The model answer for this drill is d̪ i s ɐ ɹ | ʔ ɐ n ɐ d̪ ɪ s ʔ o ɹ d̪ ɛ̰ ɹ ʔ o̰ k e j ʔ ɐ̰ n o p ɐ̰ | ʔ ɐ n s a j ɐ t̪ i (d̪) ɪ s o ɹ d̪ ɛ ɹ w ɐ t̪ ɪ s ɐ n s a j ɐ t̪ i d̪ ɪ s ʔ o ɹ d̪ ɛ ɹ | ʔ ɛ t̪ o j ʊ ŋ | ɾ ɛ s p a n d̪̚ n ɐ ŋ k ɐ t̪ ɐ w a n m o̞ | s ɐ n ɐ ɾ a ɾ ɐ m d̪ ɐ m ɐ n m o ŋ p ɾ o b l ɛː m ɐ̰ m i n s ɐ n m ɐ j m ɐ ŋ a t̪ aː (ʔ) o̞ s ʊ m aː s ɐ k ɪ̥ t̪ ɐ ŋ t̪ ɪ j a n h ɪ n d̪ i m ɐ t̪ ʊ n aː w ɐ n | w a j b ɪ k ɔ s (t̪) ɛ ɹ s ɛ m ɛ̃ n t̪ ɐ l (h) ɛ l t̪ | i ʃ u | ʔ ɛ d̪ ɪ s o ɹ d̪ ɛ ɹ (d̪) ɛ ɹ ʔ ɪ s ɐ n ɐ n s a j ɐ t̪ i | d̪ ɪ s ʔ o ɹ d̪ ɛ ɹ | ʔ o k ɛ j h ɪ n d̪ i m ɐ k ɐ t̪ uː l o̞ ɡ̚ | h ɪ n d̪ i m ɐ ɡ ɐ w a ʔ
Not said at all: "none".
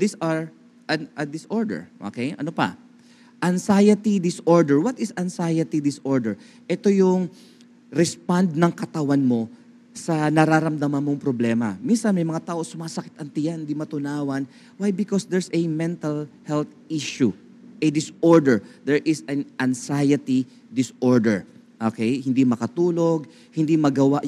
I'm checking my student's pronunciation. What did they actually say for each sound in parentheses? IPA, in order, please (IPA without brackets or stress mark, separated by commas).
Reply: d̪, ʔ, d̪, h, d̪